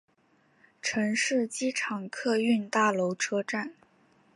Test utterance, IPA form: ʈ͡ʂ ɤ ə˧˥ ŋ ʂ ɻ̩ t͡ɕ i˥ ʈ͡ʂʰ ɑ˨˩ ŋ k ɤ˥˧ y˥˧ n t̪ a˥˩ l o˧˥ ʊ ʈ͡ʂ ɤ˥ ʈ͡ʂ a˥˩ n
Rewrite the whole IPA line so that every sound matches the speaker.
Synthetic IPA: ʈ͡ʂʰ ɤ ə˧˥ ŋ ʂ ɻ̩ t͡ɕ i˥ ʈ͡ʂʰ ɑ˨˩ ŋ kʰ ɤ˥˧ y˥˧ n t̪ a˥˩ l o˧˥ ʊ ʈ͡ʂʰ ɤ˥ ʈ͡ʂ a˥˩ n